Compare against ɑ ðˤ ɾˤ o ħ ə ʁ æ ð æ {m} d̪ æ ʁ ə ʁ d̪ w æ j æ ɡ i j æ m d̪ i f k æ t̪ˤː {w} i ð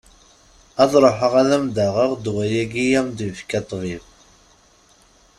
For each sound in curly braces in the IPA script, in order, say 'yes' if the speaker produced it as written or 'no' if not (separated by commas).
yes, no